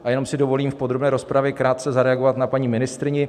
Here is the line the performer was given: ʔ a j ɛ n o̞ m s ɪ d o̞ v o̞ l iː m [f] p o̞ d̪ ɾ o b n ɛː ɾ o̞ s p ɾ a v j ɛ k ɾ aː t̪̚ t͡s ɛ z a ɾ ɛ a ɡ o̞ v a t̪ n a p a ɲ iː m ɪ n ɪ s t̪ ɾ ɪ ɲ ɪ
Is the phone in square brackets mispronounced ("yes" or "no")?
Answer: no